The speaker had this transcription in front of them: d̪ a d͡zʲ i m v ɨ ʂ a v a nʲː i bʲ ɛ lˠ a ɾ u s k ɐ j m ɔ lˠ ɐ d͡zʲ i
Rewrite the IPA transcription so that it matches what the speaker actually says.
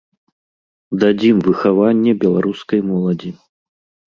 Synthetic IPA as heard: d̪ a d͡zʲ i m v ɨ x a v a nʲː ɛ bʲ ɛ lˠ a ɾ u s k ɐ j m ɔ lˠ ɐ d͡zʲ i